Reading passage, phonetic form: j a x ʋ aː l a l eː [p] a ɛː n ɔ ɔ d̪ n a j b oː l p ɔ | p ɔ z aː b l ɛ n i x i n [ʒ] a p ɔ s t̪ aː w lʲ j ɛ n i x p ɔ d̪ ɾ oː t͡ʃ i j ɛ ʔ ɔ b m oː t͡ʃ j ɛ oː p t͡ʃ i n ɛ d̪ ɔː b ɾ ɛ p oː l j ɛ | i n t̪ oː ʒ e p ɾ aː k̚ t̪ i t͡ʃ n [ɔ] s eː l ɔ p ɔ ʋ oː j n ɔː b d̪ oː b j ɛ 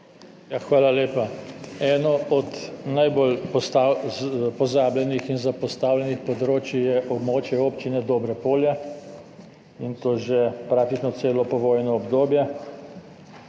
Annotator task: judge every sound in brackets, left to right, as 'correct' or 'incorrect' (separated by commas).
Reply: correct, incorrect, correct